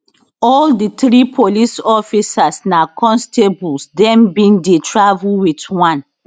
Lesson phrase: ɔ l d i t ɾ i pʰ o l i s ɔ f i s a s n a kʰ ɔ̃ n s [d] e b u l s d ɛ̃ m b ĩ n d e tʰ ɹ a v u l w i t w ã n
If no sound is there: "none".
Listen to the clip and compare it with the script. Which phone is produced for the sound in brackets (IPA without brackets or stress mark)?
t